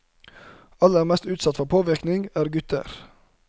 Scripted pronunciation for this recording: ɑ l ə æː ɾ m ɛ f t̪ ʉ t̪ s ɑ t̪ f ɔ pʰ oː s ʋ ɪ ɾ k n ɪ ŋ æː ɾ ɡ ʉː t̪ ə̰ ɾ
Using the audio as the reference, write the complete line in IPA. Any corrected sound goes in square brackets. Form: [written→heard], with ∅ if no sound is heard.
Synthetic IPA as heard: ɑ l ə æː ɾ m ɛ [f→s] t̪ [ʉ→ʉː] t̪ s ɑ t̪ f ɔ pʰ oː [s→∅] ʋ ɪ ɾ k n ɪ ŋ æː ɾ ɡ [ʉː→ʉ] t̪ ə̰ ɾ